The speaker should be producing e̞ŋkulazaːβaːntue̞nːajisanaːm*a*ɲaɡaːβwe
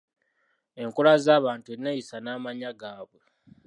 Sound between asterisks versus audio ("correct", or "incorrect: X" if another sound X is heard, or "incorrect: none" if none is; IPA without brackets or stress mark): correct